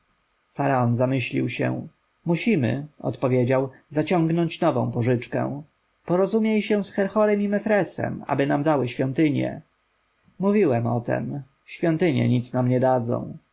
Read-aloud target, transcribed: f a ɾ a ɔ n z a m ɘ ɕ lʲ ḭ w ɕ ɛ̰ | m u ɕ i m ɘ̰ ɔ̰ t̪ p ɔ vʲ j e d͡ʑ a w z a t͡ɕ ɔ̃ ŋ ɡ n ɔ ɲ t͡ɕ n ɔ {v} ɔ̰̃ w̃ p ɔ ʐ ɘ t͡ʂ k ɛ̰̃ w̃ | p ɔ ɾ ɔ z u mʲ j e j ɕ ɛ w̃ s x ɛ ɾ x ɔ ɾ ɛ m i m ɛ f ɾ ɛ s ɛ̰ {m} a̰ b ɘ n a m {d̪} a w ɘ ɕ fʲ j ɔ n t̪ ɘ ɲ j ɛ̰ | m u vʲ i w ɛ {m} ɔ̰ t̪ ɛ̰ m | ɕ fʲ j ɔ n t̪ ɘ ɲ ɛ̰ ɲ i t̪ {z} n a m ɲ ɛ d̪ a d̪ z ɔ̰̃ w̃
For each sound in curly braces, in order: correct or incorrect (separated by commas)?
correct, correct, correct, correct, incorrect